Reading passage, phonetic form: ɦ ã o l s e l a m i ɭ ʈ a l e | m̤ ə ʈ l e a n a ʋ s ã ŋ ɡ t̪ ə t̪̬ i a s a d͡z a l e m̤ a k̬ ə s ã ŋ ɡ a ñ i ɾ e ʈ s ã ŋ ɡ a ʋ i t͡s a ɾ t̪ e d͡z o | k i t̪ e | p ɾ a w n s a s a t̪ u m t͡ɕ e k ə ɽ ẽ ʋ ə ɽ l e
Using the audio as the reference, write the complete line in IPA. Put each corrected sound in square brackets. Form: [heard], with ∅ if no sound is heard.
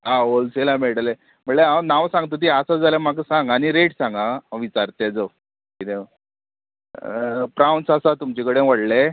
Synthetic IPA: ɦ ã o l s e l a m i ɭ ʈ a l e | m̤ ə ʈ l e a n a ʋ s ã ŋ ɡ t̪ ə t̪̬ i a s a d͡z a l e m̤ a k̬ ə s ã ŋ ɡ a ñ i ɾ e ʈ s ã ŋ ɡ a ʋ i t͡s a ɾ t̪ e d͡z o | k i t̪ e | p ɾ a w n s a s a t̪ u m t͡ɕ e k ə ɽ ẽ ʋ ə ɽ l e